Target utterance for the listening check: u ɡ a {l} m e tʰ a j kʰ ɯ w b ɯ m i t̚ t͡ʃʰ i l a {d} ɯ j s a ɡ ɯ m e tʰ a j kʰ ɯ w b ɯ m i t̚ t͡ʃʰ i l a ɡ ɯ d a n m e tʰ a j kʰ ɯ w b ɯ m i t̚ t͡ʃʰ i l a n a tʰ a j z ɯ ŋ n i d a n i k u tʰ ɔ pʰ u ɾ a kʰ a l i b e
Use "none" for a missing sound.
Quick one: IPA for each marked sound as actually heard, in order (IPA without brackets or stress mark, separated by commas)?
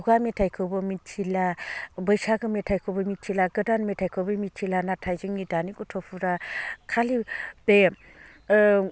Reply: none, b